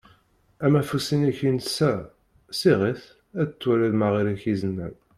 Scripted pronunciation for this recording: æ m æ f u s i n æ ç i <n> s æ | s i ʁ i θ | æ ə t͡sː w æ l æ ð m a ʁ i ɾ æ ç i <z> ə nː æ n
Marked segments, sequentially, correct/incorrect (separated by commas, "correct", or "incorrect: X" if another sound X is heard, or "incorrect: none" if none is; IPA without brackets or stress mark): correct, correct